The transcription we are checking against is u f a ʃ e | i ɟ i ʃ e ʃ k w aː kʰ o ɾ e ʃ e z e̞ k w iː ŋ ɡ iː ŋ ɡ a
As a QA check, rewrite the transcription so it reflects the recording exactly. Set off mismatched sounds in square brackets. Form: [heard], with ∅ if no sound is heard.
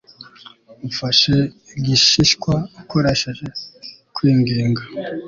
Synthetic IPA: u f a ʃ e | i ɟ i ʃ [i] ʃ k w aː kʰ o ɾ e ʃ e [ʒ] e̞ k w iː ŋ ɡ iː ŋ ɡ a